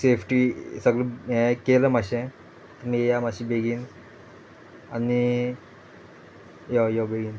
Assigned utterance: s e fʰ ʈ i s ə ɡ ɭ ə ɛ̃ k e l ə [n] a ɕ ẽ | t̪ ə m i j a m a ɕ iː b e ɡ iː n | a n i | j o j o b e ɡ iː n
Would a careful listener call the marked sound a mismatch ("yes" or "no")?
yes